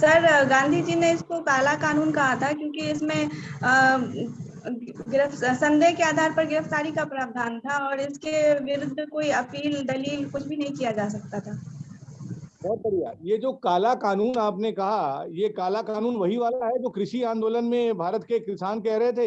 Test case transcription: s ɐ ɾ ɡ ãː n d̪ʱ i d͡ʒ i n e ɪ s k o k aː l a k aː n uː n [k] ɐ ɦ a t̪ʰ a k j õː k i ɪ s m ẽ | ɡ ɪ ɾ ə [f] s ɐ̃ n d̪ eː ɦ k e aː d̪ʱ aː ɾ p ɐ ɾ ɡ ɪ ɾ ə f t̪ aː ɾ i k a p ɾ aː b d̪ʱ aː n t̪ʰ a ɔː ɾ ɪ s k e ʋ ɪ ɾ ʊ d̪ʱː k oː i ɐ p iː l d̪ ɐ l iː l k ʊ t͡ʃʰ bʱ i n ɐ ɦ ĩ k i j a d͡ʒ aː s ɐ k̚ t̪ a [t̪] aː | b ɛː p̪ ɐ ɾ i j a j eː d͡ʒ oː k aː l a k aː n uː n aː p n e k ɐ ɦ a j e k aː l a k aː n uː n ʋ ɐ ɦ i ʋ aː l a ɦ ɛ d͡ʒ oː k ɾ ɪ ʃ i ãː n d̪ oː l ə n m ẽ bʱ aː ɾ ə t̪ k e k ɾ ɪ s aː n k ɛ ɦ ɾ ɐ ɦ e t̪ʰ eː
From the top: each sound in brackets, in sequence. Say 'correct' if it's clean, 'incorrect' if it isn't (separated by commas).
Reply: correct, correct, incorrect